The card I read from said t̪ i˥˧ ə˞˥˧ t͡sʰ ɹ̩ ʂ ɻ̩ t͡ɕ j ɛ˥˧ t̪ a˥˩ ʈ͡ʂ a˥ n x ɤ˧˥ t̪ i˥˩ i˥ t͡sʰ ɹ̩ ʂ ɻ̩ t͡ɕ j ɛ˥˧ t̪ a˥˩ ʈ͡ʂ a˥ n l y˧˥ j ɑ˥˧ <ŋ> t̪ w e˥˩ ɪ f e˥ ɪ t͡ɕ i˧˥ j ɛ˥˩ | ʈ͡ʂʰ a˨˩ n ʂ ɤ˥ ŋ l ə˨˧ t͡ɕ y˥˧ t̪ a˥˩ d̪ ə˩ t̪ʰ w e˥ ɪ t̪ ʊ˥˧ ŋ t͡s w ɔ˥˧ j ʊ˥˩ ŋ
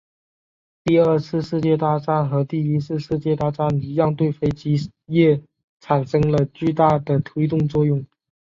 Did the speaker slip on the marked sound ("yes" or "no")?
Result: no